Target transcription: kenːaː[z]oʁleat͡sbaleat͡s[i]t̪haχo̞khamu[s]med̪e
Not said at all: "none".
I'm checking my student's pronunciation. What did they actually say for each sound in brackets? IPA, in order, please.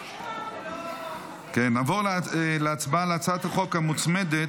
v, a, t͡s

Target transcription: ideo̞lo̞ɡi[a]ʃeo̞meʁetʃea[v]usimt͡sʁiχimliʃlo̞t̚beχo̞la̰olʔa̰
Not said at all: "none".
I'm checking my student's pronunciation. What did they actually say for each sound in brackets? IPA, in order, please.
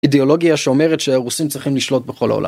a, ʁ

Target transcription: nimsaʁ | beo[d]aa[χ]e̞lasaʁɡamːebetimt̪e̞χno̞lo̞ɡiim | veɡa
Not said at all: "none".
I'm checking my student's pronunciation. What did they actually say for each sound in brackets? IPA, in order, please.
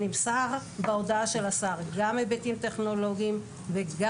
d, ʃ

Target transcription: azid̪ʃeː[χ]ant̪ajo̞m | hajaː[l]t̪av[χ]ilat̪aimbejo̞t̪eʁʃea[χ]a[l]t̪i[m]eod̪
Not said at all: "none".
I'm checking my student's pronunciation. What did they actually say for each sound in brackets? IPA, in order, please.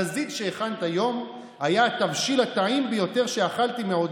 χ, none, ʃ, χ, l, m

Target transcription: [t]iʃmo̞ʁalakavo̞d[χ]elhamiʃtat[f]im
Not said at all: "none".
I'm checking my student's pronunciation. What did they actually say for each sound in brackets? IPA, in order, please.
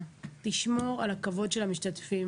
t, ʃ, f

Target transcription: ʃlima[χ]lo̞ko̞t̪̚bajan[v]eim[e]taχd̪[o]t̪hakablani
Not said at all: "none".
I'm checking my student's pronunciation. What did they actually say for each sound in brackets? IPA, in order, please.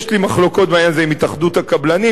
χ, z, i, u

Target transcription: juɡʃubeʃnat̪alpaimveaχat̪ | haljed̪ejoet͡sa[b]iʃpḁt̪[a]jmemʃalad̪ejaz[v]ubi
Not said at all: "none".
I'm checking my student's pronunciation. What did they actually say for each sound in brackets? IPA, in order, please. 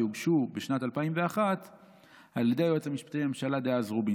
m, e, ʁ

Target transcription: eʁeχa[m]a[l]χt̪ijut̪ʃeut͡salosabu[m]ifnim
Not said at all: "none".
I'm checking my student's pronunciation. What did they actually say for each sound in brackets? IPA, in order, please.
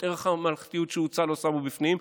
m, l, b

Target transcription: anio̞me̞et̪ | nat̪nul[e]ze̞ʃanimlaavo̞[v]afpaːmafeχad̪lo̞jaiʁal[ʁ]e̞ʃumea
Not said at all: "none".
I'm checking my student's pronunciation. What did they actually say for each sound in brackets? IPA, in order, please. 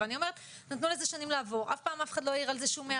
e, ʁ, z

